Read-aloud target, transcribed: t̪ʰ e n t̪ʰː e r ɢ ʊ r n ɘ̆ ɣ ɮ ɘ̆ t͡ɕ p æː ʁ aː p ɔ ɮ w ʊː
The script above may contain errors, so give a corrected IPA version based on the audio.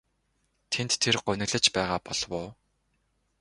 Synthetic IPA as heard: t̪ʰ e n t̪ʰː e r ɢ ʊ n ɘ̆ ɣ ɮ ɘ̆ t͡ɕ p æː ʁ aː p ɔ ɮ w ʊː